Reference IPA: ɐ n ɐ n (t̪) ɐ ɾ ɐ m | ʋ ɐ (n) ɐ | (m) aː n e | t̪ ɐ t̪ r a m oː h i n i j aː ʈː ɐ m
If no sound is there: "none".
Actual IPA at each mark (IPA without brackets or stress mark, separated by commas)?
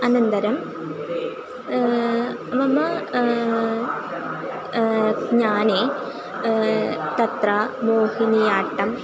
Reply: d̪, m, ɲ